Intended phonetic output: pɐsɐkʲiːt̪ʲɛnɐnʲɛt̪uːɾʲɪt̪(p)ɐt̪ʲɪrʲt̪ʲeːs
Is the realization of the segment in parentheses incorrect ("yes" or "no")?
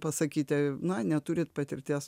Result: no